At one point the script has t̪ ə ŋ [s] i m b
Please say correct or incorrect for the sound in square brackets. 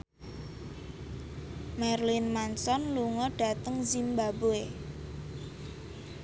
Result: incorrect